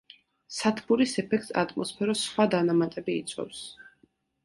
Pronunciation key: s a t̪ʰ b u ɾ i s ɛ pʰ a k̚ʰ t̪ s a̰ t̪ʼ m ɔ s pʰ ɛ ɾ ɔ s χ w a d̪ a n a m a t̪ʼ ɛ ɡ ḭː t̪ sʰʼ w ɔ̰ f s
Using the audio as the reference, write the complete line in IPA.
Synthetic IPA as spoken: s a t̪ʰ b u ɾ i s ɛ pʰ ɛ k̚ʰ t̪ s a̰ t̪ʼ m ɔ s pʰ ɛ ɾ ɔ s χ w a d̪ a n a m a t̪ʼ ɛ b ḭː t̪ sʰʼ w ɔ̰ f s